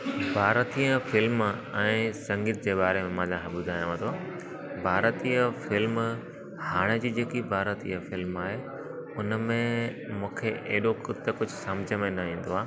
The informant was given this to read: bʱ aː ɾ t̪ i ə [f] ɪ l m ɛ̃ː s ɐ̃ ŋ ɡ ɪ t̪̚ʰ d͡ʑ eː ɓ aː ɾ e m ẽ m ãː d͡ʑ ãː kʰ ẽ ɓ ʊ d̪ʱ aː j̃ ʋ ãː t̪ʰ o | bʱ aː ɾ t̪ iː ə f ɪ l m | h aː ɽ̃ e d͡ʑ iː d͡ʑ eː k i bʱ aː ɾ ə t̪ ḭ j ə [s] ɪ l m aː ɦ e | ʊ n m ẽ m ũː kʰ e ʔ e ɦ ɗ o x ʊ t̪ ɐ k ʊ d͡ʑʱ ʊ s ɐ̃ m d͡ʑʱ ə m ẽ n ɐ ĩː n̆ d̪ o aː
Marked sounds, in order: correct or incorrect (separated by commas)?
correct, incorrect